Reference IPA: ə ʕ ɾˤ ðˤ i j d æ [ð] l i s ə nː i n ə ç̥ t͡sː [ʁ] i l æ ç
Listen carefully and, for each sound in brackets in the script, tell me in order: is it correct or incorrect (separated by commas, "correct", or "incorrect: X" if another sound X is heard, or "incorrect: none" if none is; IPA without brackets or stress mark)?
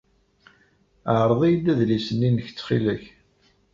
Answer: correct, incorrect: χ